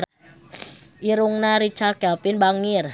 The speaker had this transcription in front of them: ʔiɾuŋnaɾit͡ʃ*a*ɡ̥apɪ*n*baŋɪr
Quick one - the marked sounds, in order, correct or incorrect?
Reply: correct, correct

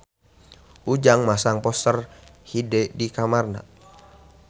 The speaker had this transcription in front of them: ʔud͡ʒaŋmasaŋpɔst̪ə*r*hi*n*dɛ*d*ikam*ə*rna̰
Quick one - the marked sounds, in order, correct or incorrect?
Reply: correct, incorrect: none, correct, incorrect: a

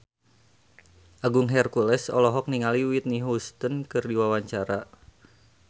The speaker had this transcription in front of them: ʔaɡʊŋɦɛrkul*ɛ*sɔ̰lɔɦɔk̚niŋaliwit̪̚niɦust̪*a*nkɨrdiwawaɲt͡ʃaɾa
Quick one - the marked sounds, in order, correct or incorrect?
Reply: correct, incorrect: ə

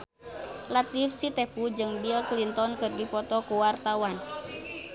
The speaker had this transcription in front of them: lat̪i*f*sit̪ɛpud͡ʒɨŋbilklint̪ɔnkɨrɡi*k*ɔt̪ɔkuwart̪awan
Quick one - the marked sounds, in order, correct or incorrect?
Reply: correct, incorrect: p

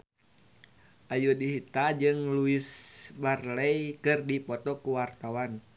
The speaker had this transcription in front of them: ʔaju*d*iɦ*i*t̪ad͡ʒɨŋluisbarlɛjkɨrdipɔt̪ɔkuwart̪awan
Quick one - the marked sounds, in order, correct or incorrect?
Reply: correct, correct

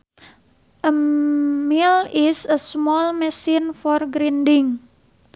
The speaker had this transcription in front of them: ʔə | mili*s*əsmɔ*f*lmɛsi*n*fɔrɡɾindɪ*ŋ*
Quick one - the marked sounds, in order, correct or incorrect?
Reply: correct, incorrect: none, correct, correct

